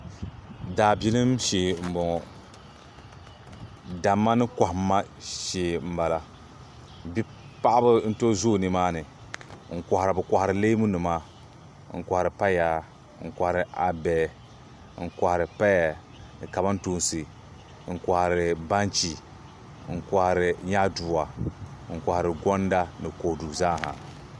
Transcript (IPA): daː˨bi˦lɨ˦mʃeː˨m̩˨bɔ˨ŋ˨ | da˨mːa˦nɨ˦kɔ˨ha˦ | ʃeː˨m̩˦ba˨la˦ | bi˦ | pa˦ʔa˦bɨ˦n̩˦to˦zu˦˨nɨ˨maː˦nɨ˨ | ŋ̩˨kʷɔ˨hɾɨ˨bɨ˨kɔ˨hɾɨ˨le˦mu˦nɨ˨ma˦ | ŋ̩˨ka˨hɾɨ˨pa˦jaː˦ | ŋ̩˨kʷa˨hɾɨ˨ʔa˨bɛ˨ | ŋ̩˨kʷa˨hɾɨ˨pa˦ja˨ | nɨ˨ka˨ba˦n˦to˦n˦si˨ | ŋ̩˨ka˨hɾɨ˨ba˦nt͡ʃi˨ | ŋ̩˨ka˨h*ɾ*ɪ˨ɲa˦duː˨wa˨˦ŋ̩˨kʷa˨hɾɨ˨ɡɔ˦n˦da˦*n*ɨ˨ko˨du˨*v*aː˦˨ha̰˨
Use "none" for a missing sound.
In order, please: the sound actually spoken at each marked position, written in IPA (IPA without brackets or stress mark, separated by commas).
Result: ɾ, n, z